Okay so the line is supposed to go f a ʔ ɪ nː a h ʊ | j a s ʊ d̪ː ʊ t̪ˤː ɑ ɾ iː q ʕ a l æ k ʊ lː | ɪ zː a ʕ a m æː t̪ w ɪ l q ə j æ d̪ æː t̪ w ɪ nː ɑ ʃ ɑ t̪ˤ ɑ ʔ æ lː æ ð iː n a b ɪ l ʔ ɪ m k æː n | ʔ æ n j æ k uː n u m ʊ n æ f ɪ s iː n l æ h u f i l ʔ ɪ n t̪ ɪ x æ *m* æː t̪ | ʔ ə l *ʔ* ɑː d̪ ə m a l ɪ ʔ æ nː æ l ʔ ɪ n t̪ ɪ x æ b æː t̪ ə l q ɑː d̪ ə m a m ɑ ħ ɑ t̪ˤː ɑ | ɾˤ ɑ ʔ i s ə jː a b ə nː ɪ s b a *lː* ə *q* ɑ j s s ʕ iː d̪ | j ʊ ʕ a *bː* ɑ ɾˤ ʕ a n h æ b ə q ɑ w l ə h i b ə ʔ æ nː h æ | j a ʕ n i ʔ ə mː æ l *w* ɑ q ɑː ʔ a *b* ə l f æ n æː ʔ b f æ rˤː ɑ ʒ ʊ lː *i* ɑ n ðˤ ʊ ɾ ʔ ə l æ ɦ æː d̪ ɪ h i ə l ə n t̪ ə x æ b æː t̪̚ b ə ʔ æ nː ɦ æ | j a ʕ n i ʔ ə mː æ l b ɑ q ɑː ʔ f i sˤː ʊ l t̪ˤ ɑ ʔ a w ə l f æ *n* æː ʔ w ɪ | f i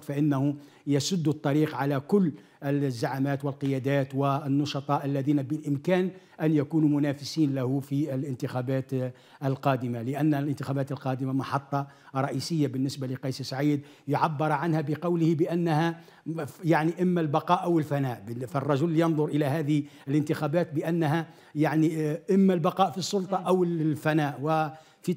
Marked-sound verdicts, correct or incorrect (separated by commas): incorrect, incorrect, incorrect, correct, correct, incorrect, incorrect, incorrect, correct